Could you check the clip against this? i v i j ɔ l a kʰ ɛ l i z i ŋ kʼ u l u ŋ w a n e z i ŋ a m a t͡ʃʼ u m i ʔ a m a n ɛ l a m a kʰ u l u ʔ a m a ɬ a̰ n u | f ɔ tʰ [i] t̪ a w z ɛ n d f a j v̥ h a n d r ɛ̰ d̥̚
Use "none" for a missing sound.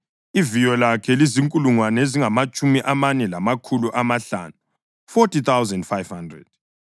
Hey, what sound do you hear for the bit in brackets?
i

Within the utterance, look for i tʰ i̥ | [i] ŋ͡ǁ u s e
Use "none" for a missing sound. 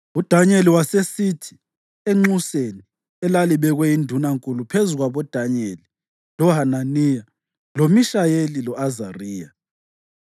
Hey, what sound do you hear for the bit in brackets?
e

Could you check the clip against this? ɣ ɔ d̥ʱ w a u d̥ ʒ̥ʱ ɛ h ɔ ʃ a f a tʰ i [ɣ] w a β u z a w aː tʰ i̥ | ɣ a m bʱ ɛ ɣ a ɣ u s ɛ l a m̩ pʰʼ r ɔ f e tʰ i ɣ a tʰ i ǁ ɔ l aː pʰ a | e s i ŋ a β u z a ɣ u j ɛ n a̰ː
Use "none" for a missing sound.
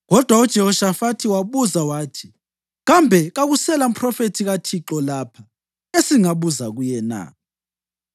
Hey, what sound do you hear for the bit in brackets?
none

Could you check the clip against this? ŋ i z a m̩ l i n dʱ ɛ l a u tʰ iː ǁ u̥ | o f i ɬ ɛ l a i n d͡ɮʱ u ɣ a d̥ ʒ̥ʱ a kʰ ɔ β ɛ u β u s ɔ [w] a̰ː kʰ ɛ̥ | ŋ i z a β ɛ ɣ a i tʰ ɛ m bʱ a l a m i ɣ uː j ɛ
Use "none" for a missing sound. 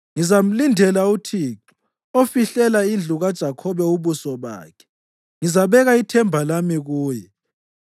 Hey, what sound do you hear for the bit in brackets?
β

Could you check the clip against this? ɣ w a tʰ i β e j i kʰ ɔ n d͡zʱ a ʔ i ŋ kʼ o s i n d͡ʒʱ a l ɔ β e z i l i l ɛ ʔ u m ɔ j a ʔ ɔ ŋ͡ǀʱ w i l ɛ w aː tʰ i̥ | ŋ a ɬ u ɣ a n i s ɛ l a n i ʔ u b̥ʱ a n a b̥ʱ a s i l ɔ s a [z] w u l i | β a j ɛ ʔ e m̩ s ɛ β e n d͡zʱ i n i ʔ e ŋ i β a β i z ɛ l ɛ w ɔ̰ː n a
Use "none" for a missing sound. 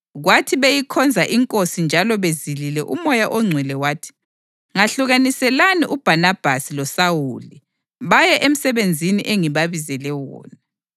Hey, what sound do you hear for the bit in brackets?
none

